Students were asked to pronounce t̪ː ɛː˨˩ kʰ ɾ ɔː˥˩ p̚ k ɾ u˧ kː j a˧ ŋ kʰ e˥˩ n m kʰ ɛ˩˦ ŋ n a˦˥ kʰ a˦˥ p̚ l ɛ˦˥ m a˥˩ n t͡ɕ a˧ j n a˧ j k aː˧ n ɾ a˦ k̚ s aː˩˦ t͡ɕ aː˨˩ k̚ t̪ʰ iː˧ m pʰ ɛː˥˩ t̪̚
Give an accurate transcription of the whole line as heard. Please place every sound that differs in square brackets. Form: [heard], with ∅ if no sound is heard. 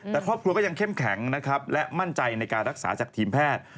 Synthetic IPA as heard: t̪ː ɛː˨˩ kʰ ɾ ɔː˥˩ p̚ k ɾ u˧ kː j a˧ ŋ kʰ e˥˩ [∅] m kʰ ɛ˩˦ ŋ n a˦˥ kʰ a˦˥ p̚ l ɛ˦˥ m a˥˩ n t͡ɕ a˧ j n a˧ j k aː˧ n ɾ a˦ k̚ s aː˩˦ t͡ɕ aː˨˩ k̚ t̪ʰ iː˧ m pʰ ɛː˥˩ t̪̚